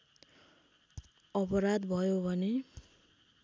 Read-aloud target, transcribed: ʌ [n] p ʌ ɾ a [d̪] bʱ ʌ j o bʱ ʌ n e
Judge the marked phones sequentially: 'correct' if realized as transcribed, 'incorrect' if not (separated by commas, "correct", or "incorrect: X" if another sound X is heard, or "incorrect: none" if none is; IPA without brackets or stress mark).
incorrect: none, correct